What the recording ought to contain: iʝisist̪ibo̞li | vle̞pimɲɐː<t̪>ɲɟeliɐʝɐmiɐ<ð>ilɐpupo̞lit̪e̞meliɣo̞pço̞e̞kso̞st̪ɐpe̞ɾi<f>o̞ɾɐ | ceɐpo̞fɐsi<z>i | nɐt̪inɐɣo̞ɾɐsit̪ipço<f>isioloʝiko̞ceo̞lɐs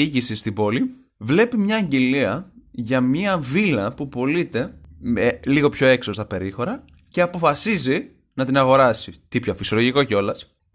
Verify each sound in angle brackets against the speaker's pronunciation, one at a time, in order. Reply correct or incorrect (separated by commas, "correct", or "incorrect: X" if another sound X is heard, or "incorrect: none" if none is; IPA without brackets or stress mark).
incorrect: none, incorrect: v, incorrect: x, correct, correct